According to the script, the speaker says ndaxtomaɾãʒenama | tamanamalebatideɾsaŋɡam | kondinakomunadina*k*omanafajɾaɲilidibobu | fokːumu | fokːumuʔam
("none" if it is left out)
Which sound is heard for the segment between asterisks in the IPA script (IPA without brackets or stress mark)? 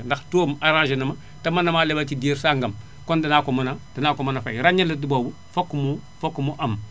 k